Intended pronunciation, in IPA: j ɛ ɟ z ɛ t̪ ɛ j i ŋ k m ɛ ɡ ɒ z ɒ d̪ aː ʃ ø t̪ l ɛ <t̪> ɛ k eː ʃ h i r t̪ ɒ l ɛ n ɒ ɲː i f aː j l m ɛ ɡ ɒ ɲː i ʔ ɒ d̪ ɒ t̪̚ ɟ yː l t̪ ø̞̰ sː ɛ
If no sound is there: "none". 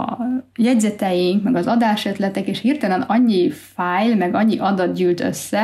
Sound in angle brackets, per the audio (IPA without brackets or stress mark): t̪